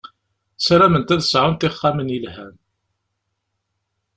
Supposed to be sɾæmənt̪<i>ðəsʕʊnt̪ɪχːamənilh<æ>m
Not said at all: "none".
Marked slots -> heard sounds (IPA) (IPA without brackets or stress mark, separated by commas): æ, æ